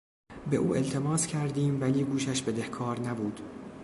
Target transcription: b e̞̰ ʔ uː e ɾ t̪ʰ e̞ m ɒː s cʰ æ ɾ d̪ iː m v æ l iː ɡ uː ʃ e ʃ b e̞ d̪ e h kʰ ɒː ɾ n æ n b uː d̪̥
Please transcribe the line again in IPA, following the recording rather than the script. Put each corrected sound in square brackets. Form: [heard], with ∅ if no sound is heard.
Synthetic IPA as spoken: b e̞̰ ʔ uː e [l] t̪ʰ e̞ m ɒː s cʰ æ ɾ d̪ iː m v æ l iː ɡ uː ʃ [æ] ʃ b e̞ d̪ e h kʰ ɒː ɾ n æ [∅] b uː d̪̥